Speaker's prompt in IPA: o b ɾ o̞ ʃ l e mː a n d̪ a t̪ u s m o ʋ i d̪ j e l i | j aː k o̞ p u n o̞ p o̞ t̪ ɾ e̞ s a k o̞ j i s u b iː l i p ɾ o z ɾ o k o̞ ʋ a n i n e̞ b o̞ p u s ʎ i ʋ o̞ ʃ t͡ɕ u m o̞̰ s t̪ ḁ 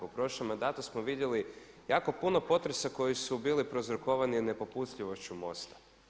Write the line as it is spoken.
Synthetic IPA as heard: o p ɾ o̞ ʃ l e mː a n d̪ a t̪ u s m o ʋ i d̪ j e l i | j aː k o̞ p u n o̞ p o̞ t̪ ɾ e̞ s a k o̞ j i s u b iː l i p ɾ o z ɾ o k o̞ ʋ a n i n e̞ p o̞ p u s ʎ i ʋ o̞ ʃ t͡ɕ u m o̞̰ s t̪ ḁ